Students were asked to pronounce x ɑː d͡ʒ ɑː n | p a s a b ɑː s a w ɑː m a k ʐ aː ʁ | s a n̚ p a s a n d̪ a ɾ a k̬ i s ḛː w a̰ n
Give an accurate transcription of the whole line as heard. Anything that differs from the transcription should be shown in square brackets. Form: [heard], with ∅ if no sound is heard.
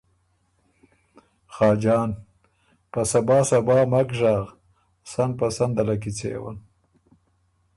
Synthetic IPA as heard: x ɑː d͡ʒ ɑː n | p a s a b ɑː s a [b] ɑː m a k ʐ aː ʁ | s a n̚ p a s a n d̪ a [l] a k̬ i [t͡s] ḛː w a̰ n